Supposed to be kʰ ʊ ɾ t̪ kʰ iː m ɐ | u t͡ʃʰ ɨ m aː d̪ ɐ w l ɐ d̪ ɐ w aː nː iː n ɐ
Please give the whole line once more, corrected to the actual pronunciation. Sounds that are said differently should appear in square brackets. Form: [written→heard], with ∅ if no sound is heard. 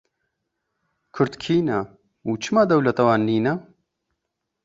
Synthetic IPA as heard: kʰ ʊ ɾ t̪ kʰ iː [m→n] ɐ | u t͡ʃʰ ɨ m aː d̪ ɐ w l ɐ [d̪→t̪] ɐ w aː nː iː n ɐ